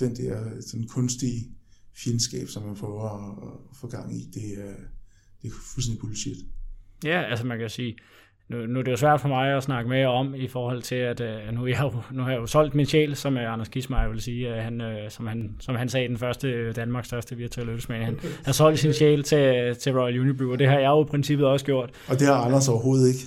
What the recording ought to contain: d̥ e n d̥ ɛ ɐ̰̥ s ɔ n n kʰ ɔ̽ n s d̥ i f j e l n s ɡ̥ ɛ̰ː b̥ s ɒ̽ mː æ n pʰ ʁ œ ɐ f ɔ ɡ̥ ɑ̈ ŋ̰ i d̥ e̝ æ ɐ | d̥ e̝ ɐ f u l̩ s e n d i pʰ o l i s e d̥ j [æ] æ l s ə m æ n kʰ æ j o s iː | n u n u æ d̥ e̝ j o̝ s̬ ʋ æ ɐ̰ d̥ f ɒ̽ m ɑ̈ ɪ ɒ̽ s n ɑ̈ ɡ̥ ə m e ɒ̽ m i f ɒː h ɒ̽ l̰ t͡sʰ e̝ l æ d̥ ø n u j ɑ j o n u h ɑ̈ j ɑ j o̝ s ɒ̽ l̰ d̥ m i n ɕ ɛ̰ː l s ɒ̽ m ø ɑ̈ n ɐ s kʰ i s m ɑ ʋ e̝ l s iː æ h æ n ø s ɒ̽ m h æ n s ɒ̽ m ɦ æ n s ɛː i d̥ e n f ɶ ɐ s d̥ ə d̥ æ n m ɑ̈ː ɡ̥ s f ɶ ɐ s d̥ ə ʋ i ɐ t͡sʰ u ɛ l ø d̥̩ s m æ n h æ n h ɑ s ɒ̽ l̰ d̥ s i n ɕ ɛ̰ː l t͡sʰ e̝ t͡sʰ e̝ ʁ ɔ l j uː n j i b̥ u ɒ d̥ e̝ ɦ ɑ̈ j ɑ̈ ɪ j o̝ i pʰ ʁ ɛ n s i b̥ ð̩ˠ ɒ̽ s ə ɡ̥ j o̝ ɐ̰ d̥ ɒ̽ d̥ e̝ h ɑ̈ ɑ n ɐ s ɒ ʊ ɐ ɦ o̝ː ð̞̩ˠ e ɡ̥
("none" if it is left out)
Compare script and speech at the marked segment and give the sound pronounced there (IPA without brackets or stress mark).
æ